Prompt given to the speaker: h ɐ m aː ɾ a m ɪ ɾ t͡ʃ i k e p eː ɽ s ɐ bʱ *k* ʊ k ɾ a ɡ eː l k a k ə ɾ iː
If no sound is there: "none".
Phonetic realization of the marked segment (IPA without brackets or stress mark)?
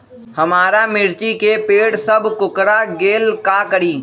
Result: k